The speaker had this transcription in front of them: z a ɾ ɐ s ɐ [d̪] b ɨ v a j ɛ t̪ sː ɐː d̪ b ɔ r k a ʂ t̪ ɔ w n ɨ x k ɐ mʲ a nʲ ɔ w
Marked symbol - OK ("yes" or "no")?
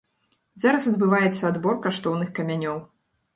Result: yes